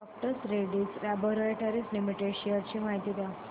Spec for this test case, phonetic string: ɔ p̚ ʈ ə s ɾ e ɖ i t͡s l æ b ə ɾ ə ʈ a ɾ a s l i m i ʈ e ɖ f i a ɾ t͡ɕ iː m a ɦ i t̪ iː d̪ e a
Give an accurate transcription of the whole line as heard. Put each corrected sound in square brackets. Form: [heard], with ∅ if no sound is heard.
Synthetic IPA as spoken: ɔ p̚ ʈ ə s ɾ e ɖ i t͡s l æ b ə ɾ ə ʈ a ɾ [i] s l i m i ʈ e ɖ [ɕ] i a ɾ t͡ɕ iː m a ɦ i t̪ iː d̪ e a